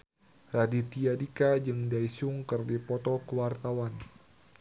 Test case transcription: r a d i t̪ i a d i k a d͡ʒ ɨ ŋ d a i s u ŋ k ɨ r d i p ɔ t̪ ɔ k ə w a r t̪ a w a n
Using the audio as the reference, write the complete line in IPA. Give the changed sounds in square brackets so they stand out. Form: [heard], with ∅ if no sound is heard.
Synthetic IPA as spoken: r a d i t̪ i a d i k a d͡ʒ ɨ ŋ d a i s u ŋ k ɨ r d i p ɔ t̪ ɔ k ə w a r t̪ a w a n